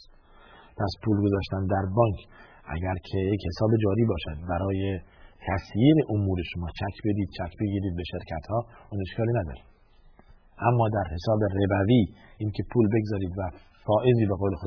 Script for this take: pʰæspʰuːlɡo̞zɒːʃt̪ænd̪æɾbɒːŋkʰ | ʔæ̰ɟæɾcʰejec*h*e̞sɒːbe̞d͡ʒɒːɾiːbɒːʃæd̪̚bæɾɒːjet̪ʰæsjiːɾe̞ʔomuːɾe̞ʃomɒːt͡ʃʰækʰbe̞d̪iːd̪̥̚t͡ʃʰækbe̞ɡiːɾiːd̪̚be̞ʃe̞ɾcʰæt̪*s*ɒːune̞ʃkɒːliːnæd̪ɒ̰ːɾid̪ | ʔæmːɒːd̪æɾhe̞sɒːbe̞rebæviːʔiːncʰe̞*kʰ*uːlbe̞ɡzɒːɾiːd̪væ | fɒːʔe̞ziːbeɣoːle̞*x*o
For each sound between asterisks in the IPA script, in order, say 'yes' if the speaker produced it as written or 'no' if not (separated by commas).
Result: yes, no, no, yes